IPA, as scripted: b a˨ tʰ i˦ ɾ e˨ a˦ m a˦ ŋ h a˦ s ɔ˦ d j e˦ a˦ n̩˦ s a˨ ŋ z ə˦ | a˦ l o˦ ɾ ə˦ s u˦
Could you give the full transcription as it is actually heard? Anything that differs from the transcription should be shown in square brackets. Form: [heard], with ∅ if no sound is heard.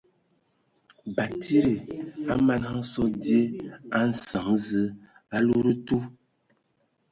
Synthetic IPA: b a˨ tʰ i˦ ɾ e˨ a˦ m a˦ [n] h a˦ s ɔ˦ d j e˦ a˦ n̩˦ s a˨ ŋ z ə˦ | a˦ l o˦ ɾ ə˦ [t] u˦